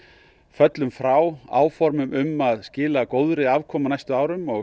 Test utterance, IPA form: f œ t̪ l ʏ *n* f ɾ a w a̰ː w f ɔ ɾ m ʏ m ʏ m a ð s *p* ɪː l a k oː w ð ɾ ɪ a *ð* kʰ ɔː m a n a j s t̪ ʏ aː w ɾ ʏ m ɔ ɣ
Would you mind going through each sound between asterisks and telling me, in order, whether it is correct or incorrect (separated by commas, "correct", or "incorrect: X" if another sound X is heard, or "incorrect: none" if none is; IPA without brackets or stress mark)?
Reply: incorrect: m, incorrect: c, incorrect: v